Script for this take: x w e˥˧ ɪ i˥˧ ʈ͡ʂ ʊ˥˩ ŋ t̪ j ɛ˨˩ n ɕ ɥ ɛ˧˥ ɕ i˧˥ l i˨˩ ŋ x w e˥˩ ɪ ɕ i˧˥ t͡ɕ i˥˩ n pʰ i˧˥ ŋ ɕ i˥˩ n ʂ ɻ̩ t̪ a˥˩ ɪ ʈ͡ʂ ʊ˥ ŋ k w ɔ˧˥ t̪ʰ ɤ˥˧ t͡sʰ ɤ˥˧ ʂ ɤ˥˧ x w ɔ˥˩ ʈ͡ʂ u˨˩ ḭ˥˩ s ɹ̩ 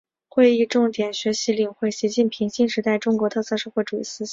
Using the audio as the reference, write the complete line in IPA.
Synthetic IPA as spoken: x w e˥˧ ɪ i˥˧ ʈ͡ʂ ʊ˥˩ ŋ t̪ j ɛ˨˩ n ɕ ɥ ɛ˧˥ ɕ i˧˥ l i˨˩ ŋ x w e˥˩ ɪ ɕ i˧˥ t͡ɕ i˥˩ n pʰ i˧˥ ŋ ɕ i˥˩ n ʂ ɻ̩ t̪ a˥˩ ɪ ʈ͡ʂ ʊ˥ ŋ k w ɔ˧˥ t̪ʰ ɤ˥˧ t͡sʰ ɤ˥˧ ʂ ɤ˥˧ x w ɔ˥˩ ʈ͡ʂ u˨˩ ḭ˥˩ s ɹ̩

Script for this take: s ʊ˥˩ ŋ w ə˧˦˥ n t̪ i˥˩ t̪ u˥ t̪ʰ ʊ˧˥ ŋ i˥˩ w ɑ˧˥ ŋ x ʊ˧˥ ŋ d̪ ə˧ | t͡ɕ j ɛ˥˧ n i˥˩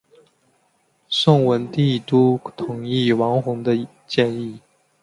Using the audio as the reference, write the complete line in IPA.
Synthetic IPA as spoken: s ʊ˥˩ ŋ w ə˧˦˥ n t̪ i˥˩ t̪ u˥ t̪ʰ ʊ˨˩ ŋ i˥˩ w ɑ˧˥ ŋ x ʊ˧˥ ŋ d̪ ə˧ | t͡ɕ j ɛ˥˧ n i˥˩

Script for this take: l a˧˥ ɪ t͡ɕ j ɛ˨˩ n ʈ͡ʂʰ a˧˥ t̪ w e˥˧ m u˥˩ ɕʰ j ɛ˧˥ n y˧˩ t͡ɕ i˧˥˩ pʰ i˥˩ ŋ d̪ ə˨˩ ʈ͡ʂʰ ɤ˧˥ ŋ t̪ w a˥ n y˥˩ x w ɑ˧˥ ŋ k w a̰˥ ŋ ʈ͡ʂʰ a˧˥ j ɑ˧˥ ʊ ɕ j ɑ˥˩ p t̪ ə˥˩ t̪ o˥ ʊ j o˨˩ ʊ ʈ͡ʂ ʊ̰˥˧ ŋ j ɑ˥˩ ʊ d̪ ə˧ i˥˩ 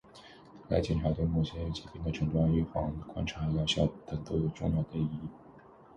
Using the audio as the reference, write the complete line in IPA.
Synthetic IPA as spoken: l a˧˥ ɪ t͡ɕ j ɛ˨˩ n ʈ͡ʂʰ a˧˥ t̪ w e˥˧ m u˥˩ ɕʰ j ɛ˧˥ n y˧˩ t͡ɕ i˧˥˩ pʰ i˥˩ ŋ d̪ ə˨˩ ʈ͡ʂʰ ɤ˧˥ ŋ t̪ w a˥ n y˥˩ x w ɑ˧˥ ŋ k w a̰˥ n ʈ͡ʂʰ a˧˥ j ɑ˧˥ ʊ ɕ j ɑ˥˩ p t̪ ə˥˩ t̪ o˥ ʊ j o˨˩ ʊ ʈ͡ʂ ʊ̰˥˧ ŋ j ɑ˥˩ ʊ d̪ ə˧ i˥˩

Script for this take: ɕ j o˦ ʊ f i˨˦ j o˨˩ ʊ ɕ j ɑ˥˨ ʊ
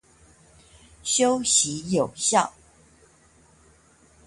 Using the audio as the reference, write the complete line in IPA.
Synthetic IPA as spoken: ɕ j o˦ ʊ ɕ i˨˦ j o˨˩ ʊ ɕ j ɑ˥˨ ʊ

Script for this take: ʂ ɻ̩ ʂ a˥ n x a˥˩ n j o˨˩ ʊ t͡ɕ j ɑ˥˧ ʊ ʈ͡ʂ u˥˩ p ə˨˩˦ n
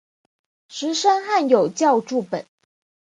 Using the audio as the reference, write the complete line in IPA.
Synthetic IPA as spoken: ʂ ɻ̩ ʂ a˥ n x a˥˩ n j o˨˩ ʊ t͡ɕ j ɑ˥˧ ʊ ʈ͡ʂ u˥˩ p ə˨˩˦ n

